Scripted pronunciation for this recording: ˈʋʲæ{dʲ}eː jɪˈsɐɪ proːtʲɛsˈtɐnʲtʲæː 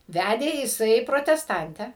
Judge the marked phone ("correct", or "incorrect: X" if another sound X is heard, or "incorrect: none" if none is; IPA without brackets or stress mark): correct